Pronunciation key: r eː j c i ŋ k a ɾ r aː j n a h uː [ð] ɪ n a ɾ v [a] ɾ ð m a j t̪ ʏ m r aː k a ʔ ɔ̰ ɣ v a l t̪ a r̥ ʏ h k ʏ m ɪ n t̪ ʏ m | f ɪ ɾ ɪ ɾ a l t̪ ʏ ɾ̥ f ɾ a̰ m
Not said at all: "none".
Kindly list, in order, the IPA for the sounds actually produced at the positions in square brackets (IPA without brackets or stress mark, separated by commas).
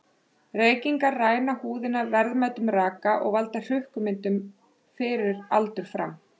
ð, ɛ